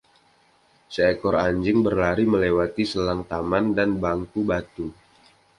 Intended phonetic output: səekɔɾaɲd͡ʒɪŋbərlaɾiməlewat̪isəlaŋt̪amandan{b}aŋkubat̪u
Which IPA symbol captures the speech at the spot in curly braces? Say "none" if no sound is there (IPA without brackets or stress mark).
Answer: b